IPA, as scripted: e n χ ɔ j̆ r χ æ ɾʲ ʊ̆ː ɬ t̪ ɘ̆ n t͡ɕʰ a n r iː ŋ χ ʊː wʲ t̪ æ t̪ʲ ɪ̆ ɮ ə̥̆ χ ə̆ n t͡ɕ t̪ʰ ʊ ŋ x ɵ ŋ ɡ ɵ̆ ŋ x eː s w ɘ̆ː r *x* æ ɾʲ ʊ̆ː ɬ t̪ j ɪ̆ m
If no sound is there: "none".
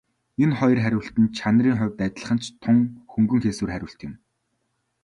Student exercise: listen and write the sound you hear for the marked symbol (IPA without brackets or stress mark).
χ